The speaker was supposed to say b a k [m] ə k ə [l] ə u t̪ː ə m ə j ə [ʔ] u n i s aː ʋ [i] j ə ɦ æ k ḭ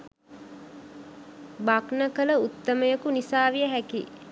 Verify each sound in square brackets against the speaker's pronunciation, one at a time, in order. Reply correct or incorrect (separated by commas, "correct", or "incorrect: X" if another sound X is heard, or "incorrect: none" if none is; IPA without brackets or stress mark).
incorrect: n, correct, incorrect: k, correct